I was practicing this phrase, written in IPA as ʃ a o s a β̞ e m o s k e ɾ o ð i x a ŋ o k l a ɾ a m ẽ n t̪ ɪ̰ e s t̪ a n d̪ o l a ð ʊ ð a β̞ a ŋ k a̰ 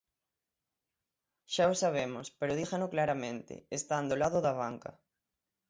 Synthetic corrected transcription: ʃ a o s a β̞ e m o s p e ɾ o ð i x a n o k l a ɾ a m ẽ n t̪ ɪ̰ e s t̪ a n d̪ o l a ð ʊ ð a β̞ a ŋ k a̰